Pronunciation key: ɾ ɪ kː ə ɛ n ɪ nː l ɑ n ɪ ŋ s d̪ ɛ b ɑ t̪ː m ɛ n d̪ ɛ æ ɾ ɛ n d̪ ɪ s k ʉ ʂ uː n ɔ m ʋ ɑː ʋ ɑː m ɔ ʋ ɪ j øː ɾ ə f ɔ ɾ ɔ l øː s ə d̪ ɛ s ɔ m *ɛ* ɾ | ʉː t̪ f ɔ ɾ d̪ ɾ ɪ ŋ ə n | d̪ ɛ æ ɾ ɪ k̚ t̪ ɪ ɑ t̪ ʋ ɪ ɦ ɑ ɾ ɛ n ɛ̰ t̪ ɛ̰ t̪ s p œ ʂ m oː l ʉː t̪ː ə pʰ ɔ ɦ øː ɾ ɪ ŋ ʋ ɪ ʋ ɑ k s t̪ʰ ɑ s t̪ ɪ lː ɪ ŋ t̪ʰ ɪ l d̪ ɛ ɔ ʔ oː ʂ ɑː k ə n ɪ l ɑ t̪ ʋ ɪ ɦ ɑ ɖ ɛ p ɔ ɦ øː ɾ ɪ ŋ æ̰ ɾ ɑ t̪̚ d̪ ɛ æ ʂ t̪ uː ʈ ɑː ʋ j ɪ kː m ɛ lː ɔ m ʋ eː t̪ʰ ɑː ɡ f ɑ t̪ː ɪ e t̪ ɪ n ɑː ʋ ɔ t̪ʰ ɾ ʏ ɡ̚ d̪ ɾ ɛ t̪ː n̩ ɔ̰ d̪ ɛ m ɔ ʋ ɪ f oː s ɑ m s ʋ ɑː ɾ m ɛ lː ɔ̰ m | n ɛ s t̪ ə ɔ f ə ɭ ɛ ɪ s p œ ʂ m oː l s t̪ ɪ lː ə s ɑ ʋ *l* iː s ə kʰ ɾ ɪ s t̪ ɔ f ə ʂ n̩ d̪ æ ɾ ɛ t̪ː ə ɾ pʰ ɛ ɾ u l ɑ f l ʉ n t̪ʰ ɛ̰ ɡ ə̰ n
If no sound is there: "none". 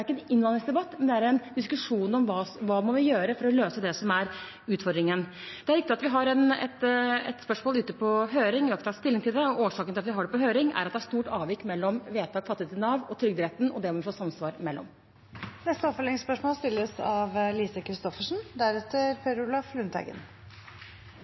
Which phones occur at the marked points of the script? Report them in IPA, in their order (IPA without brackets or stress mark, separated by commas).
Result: æ, l